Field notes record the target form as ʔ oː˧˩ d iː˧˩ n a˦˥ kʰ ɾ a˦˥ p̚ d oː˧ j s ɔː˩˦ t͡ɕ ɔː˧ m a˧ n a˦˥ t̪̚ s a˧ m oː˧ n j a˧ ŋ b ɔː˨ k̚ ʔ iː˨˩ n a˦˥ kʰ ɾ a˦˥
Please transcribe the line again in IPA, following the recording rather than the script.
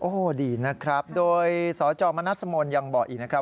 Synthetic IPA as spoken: ʔ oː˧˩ d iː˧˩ n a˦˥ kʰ ɾ a˦˥ p̚ d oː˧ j s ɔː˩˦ t͡ɕ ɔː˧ m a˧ n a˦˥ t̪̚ s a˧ m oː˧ n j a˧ ŋ b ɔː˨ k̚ ʔ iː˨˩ n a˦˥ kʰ ɾ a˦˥